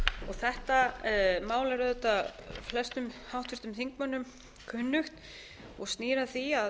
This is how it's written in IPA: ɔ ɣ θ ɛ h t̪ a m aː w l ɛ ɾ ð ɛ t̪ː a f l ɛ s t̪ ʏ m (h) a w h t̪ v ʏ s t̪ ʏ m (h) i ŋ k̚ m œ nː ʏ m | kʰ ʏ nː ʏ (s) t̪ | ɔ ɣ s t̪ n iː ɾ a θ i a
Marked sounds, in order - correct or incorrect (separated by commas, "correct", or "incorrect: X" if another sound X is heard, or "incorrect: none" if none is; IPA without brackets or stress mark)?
correct, incorrect: θ, incorrect: x